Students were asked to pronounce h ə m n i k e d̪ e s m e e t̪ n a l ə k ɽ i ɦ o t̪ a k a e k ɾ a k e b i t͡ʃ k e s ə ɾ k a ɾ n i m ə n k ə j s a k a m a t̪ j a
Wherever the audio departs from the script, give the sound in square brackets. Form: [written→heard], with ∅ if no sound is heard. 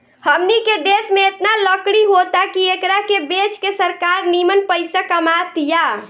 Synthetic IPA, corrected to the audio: h ə m n i k e d̪ e s m e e t̪ n a l ə k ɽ i ɦ o t̪ a k [a→i] e k ɾ a k e b [i→e] t͡ʃ k e s ə ɾ k a ɾ n i m ə n [k→p] ə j s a k [a→ə] m a t̪ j a